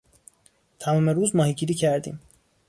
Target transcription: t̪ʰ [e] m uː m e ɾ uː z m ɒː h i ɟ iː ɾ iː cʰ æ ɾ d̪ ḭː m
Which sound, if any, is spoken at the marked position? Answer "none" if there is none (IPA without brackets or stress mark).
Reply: æ